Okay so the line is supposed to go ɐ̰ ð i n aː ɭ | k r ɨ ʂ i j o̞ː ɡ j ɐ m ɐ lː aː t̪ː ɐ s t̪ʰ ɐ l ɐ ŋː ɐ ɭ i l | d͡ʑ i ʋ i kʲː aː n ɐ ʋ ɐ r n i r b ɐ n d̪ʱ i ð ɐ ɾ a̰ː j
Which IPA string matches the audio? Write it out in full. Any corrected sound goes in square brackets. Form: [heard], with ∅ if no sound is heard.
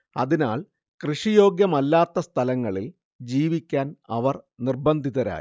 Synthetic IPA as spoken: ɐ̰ ð i n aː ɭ | k r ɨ ʂ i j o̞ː ɡ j ɐ m ɐ lː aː t̪ː ɐ s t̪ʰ ɐ l ɐ ŋː ɐ ɭ i l | d͡ʑ [iː] ʋ i kʲː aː n ɐ ʋ ɐ r n i r b ɐ n d̪ʱ i ð ɐ ɾ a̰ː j

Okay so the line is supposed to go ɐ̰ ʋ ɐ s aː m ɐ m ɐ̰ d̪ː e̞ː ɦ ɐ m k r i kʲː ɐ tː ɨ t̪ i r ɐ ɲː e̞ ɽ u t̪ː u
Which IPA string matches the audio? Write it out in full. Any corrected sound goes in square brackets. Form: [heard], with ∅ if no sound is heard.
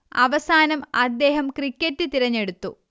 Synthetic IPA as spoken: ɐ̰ ʋ ɐ s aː [n] ɐ m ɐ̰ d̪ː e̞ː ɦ ɐ m k r i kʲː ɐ tː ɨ t̪ i [ɾ] ɐ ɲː e̞ ɽ u t̪ː u

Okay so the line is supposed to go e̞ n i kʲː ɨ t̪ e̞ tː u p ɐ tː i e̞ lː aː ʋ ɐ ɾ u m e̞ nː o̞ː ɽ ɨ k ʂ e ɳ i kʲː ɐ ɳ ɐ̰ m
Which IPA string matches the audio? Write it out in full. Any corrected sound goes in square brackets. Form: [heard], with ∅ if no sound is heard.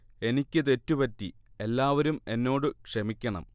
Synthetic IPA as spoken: e̞ n i kʲː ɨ t̪ e̞ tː u p ɐ tː i e̞ lː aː ʋ ɐ ɾ u m e̞ nː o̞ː ɽ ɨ k ʂ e [m] i kʲː ɐ ɳ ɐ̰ m

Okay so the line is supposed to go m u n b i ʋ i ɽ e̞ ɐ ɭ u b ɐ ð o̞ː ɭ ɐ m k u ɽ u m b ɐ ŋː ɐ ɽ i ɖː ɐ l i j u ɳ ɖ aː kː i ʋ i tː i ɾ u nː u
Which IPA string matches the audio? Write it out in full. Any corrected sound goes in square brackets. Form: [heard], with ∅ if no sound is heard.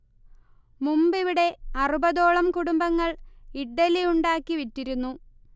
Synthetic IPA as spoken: m u [m] b i ʋ i ɽ e̞ ɐ [r] u b ɐ ð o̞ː ɭ ɐ m k u ɽ u m b ɐ ŋː ɐ [ɭ] i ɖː ɐ l i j u ɳ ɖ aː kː i ʋ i tː i ɾ u nː u

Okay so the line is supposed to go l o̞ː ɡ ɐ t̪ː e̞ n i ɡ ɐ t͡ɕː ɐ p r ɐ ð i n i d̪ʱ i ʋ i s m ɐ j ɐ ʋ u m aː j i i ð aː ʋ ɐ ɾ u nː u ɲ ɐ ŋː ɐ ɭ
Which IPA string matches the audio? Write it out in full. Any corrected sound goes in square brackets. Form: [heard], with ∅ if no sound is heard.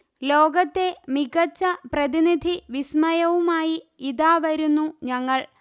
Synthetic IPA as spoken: l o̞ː ɡ ɐ t̪ː e̞ [m] i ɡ ɐ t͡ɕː ɐ p r ɐ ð i n i d̪ʱ i ʋ i s m ɐ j ɐ ʋ u m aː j i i ð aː ʋ ɐ ɾ u nː u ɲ ɐ ŋː ɐ ɭ

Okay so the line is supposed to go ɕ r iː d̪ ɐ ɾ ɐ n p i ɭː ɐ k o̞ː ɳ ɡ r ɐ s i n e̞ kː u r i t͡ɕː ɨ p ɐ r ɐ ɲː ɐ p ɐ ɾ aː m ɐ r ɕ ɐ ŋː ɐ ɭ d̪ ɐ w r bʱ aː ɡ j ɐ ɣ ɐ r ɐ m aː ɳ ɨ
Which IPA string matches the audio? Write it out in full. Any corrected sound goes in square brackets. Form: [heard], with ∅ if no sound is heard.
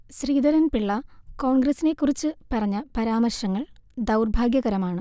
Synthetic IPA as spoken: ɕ r iː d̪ ɐ ɾ ɐ n p i ɭː ɐ k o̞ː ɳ ɡ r ɐ s i n e̞ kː u r i t͡ɕː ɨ p ɐ r ɐ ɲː ɐ p ɐ ɾ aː m ɐ r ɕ ɐ ŋː ɐ ɭ d̪ ɐ w r bʱ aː ɡ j ɐ ɣ ɐ [ɾ] ɐ m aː ɳ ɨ

